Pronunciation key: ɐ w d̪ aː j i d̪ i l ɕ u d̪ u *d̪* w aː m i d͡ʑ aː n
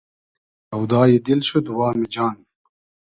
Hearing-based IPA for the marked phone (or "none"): none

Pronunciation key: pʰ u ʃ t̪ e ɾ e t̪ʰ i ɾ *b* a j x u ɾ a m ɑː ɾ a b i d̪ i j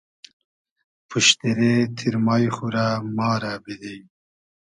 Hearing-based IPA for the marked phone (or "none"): m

